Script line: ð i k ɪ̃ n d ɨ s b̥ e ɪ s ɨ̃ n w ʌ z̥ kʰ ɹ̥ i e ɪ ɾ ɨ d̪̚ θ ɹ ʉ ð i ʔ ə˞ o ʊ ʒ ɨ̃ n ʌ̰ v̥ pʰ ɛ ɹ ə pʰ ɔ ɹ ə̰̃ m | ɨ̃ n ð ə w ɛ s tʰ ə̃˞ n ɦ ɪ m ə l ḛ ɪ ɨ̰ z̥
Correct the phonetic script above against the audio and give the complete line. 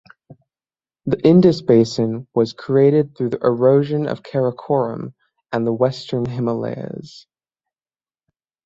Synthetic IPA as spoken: ð i ʔ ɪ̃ n d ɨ s b̥ e ɪ s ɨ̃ n w ʌ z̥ kʰ ɹ̥ i e ɪ ɾ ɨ d̪̚ θ ɹ ʉ ð i ʔ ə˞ o ʊ ʒ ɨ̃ n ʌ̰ v̥ kʰ ɛ ɹ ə kʰ ɔ ɹ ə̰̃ m | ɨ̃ n ð ə w ɛ s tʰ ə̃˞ n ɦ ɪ m ə l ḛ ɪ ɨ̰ z̥